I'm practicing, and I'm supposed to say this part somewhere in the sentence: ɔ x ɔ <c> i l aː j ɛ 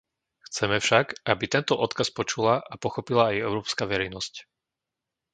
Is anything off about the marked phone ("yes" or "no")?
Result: yes